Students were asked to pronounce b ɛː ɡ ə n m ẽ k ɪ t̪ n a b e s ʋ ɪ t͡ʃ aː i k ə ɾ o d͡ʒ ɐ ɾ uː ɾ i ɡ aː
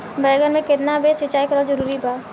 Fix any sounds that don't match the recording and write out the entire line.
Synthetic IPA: b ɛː ɡ ə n m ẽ k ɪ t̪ n a b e s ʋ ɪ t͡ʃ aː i k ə ɾ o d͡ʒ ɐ ɾ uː ɾ i b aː